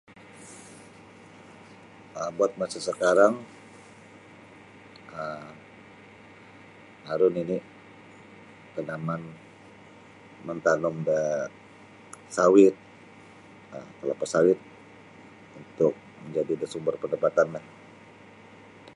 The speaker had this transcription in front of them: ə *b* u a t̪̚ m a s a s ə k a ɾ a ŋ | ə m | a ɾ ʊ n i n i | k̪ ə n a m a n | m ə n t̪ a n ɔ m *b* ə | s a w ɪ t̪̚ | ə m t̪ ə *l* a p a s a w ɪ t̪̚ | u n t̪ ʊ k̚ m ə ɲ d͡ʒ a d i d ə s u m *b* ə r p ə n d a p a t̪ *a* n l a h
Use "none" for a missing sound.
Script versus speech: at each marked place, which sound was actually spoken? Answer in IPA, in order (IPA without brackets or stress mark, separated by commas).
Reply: b, d, l, b, a